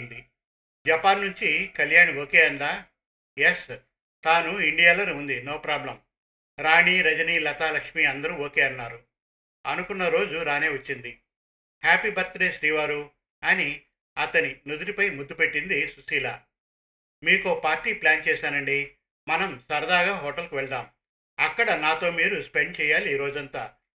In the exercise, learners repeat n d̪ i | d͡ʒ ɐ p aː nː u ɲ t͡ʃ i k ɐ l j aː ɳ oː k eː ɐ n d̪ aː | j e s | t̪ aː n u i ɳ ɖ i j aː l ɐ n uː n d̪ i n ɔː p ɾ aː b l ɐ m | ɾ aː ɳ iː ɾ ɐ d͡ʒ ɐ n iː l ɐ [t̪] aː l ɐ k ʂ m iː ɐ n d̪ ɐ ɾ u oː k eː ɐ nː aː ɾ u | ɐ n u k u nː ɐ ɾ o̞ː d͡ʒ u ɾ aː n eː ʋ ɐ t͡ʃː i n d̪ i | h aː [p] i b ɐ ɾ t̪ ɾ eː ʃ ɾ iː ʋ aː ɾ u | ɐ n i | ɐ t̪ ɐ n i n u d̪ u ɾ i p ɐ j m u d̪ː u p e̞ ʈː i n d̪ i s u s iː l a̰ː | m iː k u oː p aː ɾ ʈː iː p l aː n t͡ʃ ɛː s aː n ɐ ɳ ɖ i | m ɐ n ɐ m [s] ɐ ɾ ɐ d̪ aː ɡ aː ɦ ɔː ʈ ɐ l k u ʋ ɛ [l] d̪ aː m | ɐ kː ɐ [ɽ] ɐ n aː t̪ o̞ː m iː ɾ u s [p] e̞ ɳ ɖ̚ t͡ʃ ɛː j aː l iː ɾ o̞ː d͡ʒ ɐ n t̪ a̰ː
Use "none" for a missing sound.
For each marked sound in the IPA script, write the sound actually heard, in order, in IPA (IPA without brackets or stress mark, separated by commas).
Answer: t̪, p, s, ɭ, ɽ, p